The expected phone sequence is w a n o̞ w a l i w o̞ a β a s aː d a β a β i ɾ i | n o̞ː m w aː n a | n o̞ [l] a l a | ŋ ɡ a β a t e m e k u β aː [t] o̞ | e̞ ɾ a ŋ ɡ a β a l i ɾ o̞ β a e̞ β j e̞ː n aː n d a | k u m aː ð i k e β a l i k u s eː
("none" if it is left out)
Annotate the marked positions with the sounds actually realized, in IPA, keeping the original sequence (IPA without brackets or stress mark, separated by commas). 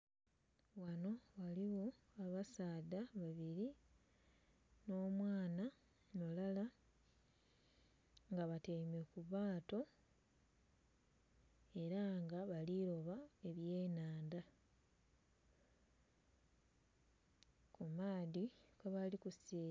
l, t